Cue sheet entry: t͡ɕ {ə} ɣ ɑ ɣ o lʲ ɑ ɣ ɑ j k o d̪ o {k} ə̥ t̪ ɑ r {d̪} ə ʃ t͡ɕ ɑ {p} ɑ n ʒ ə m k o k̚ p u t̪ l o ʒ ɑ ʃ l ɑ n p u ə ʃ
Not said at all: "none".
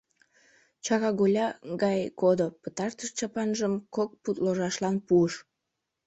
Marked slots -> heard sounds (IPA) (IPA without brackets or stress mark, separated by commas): ɑ, p, t̪, p